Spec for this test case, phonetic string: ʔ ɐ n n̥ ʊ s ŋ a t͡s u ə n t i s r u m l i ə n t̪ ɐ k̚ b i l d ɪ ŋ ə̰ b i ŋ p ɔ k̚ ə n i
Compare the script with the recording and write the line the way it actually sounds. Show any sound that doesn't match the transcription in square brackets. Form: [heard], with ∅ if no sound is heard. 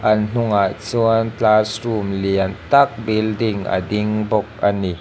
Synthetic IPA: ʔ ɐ n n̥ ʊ [∅] ŋ a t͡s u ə n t [a] s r u m l i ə n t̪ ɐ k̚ b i l d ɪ ŋ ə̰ [d] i ŋ [b] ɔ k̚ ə n i